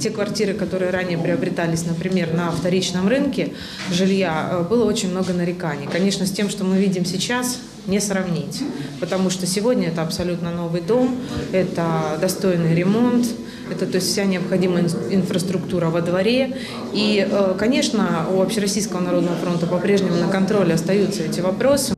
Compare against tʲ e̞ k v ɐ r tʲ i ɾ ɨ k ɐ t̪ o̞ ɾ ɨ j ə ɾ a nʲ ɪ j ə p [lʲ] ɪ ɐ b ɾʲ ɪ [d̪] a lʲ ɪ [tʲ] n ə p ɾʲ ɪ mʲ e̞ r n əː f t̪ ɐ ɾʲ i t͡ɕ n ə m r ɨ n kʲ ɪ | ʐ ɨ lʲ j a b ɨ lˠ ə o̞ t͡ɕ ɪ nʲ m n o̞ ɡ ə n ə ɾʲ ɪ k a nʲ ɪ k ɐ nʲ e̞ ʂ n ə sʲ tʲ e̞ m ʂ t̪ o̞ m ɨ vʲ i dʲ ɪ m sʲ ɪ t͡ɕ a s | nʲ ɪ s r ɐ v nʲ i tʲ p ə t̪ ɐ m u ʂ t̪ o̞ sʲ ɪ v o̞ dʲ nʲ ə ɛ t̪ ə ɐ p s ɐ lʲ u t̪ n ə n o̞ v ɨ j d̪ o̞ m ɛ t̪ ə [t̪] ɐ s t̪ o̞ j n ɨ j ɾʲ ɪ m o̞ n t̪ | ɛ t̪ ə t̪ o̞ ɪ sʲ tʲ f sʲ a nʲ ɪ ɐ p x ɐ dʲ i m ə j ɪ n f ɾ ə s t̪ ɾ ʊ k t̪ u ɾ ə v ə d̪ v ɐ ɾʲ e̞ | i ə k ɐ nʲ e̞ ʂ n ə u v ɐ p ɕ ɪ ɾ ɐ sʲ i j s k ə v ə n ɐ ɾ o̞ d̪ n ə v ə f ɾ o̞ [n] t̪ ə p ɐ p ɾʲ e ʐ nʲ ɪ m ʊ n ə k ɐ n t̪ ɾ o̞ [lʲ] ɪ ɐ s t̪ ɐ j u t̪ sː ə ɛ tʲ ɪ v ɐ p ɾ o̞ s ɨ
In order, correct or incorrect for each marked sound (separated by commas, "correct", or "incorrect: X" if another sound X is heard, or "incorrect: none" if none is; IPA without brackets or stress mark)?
incorrect: ɾʲ, incorrect: t̪, incorrect: sʲ, incorrect: d̪, correct, correct